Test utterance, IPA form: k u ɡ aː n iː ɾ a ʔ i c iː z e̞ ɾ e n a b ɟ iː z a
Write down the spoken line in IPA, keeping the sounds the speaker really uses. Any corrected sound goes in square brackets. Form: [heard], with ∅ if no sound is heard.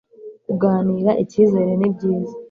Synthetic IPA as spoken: k u ɡ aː n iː ɾ a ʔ i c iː z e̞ ɾ e n [i] b ɟ iː z a